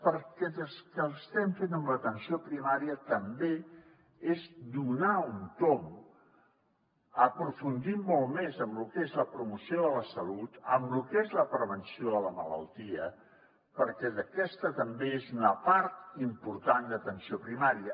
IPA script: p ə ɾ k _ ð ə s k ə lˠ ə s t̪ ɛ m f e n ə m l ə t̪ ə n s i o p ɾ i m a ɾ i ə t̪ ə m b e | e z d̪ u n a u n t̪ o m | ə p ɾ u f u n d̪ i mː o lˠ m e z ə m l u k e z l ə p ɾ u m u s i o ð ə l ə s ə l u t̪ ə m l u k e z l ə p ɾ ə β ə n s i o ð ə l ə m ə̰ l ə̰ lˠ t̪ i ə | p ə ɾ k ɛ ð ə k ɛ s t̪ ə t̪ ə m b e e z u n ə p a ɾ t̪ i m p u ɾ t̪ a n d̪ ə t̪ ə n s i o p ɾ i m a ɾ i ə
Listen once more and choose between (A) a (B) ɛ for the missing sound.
B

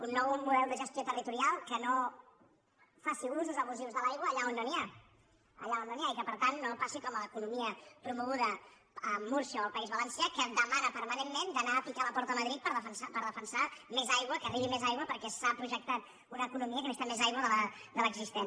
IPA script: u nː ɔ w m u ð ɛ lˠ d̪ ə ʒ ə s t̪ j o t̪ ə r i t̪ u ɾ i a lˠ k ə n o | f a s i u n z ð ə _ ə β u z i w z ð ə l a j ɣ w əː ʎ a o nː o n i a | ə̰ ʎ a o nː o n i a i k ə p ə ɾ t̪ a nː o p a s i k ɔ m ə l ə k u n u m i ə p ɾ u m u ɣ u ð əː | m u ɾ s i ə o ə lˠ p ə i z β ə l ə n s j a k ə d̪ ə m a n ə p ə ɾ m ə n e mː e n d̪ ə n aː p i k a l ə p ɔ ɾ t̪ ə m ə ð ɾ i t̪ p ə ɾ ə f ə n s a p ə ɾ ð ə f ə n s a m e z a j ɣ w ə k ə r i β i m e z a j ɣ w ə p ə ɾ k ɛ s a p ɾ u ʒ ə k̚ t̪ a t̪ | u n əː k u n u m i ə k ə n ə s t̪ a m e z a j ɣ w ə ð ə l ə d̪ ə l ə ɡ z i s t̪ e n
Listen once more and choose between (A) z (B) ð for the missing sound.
A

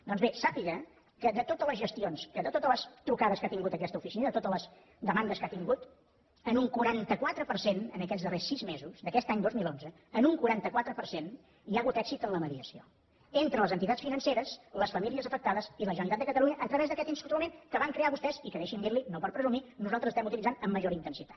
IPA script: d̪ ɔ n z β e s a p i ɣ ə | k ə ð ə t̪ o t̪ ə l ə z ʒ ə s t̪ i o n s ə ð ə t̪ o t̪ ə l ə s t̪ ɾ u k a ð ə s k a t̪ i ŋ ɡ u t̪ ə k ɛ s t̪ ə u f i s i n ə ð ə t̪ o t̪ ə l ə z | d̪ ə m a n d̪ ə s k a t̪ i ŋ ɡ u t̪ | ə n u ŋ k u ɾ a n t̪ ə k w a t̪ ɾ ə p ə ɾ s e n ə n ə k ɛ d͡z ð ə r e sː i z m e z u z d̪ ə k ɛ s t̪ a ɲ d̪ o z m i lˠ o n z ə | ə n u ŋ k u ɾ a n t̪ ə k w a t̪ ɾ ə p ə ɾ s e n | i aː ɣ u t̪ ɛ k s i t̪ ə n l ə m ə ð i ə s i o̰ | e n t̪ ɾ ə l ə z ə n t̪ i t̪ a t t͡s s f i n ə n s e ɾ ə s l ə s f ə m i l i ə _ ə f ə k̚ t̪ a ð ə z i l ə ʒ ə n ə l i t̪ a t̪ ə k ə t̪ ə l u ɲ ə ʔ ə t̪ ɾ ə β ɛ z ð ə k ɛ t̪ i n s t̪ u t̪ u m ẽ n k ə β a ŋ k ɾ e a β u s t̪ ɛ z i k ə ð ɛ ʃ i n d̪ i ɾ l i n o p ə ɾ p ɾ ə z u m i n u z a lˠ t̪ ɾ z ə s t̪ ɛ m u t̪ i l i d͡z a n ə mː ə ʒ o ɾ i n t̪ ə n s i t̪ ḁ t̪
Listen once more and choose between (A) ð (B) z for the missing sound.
B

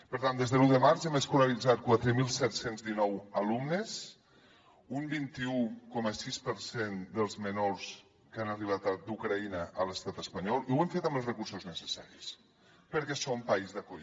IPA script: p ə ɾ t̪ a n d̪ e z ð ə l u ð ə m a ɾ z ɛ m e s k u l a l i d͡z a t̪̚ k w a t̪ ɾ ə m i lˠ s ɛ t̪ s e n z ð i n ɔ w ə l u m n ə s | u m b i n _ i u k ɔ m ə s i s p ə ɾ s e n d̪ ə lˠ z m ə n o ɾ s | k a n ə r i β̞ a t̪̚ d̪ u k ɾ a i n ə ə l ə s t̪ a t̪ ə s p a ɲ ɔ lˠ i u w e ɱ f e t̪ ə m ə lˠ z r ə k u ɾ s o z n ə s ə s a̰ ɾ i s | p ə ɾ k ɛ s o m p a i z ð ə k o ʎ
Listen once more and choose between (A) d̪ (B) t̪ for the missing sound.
B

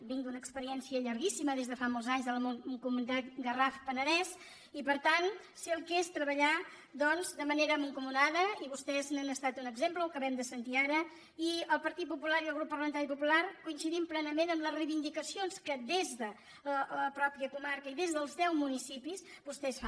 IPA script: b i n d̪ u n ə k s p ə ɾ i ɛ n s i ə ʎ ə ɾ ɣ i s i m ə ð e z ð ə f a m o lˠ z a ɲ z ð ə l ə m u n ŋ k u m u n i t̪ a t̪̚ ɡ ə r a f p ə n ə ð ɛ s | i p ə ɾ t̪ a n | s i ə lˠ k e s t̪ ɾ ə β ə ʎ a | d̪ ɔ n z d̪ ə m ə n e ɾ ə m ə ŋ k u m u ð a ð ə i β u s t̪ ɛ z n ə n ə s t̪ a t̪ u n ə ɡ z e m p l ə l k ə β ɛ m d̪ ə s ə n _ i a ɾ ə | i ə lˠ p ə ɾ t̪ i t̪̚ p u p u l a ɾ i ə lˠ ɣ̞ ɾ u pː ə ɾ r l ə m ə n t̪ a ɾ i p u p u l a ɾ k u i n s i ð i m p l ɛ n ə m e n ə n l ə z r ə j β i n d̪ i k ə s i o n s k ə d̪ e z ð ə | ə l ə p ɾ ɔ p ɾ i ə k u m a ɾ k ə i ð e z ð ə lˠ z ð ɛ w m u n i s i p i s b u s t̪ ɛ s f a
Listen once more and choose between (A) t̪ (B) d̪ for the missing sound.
A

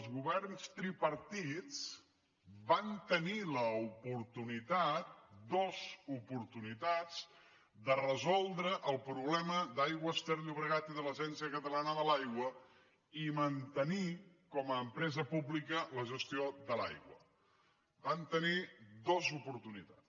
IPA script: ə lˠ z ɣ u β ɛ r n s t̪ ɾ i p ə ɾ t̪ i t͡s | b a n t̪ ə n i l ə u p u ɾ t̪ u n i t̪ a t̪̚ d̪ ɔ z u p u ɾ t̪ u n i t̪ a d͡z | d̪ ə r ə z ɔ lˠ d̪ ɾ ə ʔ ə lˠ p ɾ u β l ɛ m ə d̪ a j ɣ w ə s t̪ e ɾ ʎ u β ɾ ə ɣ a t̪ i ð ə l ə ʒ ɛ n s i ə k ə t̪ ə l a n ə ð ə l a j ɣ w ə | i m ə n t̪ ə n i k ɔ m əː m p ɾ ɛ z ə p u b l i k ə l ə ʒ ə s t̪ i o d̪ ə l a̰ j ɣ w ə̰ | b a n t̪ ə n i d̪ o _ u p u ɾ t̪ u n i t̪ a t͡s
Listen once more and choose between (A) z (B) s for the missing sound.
A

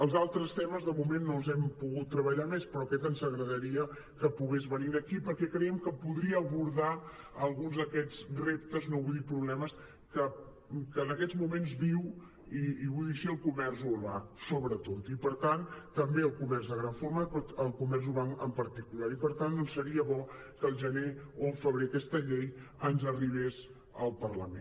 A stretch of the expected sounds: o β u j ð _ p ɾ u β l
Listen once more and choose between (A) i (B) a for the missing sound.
A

